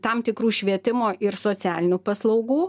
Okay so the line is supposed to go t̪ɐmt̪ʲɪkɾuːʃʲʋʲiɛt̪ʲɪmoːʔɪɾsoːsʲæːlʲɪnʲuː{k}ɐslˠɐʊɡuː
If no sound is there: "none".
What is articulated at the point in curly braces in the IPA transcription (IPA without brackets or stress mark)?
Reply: p